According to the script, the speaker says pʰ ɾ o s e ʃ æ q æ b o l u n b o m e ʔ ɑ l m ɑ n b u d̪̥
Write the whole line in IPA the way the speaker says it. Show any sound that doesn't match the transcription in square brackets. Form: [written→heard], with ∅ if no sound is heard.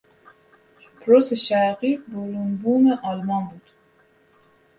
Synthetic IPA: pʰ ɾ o s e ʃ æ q [æ→i] b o l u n b [o→u] m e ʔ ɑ l m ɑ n b u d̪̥